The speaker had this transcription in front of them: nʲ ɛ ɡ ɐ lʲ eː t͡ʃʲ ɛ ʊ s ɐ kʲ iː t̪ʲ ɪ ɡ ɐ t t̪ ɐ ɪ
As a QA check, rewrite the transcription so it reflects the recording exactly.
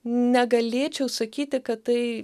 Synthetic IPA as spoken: nʲ ɛ ɡ ɐ lʲ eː t͡ʃʲ ɛ ʊ s ɐ kʲ iː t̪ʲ ɪ k ɐ t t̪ ɐ ɪ